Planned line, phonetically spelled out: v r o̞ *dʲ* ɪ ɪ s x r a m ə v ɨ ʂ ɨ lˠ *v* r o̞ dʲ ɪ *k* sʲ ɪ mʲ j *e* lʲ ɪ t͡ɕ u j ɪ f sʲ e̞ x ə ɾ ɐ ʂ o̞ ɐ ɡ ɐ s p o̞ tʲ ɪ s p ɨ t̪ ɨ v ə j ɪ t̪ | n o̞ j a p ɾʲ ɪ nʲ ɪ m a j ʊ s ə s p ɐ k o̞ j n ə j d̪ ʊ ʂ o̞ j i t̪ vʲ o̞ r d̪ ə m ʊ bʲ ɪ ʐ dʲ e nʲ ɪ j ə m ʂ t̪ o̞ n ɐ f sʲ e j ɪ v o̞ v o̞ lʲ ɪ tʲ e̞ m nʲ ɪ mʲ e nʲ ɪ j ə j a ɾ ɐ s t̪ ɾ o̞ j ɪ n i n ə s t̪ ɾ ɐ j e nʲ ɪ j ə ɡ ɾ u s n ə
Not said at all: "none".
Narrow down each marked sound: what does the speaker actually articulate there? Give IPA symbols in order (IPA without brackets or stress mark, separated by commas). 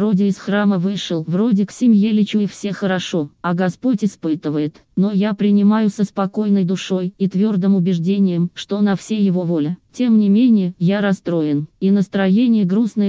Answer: dʲ, v, k, e